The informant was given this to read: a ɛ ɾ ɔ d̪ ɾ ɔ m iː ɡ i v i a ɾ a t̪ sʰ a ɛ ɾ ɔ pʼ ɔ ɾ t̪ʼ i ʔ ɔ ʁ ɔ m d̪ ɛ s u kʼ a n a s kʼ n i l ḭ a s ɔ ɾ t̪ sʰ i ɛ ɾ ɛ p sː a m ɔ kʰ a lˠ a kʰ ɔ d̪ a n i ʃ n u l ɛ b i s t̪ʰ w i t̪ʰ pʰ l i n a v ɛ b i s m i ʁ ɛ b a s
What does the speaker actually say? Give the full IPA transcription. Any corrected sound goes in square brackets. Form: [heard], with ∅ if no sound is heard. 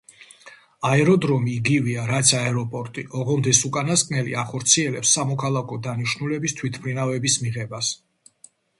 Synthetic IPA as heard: a ɛ ɾ ɔ d̪ ɾ ɔ m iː ɡ i v i a ɾ a t̪ sʰ a ɛ ɾ ɔ pʼ ɔ ɾ t̪ʼ i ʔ ɔ ʁ ɔ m d̪ ɛ s u kʼ a n a s kʼ n [ɛ] l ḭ a [χ] ɔ ɾ t̪ sʰ i ɛ [l] ɛ p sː a m ɔ kʰ a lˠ a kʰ ɔ d̪ a n i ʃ n u l ɛ b i s t̪ʰ w i t̪ʰ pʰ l i n a v ɛ b i s m i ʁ ɛ b a s